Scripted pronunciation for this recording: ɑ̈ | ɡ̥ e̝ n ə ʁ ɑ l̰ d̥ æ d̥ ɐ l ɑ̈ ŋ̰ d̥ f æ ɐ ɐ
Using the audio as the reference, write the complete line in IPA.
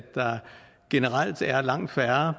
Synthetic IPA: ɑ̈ | ɡ̥ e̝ n ə ʁ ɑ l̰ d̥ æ ɐ l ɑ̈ ŋ̰ d̥ f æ ɐ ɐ

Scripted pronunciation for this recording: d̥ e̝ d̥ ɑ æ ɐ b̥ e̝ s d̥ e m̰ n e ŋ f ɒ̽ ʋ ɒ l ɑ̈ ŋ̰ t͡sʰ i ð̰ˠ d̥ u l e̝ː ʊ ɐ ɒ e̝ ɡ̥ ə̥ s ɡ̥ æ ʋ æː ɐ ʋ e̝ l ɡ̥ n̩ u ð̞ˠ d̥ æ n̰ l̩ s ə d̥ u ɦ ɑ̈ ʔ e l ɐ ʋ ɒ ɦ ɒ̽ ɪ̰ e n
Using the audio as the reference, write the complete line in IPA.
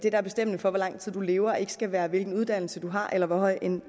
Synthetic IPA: d̥ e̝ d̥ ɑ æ ɐ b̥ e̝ s d̥ e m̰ n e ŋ f ɒ̽ ʋ ɒ l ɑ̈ ŋ̰ t͡sʰ i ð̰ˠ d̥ u l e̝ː ʊ ɐ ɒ e̝ ɡ̥ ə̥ s ɡ̥ æ ʋ æː ɐ ʋ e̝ l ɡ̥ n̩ u ð̞ˠ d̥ æ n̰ l̩ s ə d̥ u ɦ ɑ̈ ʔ e l ɐ ʋ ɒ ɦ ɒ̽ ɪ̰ e n

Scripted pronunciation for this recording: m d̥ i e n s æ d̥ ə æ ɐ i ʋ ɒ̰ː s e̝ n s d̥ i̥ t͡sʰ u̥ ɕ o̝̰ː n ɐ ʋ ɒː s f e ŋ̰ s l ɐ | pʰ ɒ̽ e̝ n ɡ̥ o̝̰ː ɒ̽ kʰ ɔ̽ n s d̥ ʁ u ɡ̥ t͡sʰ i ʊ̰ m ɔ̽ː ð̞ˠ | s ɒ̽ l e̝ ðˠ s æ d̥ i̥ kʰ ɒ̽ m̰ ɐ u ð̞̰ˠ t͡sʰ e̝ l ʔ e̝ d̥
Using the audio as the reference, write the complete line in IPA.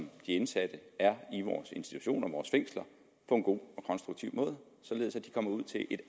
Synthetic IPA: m d̥ i e n s æ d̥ ə æ ɐ i ʋ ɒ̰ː s e̝ n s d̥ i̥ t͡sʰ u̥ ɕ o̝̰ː n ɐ ʋ ɒː s f e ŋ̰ s l ɐ | pʰ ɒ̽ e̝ n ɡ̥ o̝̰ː ɒ̽ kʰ ɒ̽ n s d̥ ʁ u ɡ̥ t͡sʰ i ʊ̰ m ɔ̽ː ð̞ˠ | s ɒ̽ l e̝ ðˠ s æ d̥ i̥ kʰ ɒ̽ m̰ ɐ u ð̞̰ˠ t͡sʰ e̝ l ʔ e̝ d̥

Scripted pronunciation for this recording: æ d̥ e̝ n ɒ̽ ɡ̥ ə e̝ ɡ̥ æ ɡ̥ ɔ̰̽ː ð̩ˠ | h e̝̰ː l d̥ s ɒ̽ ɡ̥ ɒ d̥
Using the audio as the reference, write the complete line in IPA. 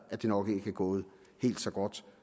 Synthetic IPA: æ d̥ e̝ n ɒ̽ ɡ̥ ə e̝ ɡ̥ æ ɡ̥ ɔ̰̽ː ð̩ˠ | h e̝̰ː l d̥ s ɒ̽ ɡ̥ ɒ d̥

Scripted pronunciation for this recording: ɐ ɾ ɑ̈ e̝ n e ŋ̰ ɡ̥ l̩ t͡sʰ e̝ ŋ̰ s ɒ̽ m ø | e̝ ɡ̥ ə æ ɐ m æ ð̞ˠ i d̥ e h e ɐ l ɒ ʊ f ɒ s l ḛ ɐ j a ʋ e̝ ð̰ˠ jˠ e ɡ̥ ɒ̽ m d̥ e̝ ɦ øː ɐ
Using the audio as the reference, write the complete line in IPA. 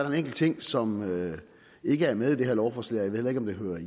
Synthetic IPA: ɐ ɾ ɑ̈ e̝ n e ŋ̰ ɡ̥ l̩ t͡sʰ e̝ ŋ̰ s ɒ̽ m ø | e̝ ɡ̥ ə æ ɐ m e ð̞ˠ i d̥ e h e ɐ l ɒ ʊ f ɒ s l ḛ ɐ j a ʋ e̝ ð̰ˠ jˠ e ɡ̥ ɒ̽ m d̥ e̝ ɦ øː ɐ

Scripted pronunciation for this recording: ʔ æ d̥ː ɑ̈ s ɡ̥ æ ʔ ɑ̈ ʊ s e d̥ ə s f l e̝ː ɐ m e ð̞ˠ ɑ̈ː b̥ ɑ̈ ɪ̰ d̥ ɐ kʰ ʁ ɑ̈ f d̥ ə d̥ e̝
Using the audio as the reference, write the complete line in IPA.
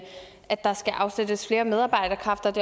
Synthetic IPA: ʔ æ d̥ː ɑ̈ s ɡ̥ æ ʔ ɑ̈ ʊ s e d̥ ə s f l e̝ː ɐ m e ð̞ˠ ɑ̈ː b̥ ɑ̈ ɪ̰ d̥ ɐ kʰ ʁ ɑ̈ f d̥ ɐ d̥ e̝

